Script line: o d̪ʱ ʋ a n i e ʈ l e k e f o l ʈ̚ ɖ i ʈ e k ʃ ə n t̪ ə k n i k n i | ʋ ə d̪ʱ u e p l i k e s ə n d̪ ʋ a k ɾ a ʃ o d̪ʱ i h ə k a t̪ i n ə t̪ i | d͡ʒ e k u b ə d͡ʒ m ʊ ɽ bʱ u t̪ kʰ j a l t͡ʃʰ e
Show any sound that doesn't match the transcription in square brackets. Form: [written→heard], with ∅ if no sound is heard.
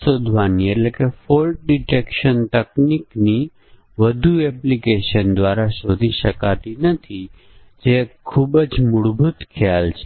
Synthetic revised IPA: o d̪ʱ ʋ a n i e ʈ l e k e f o l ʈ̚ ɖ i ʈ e k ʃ ə n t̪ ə k n i k n i | ʋ ə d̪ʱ u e p l i k e [s→ʃ] ə n d̪ ʋ a [k→∅] ɾ a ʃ o d̪ʱ i [h→ʃ] ə k a t̪ i n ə [t̪→t̪ʰ] i | d͡ʒ e [k→kʰ] u b ə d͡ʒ m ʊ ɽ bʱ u t̪ kʰ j a l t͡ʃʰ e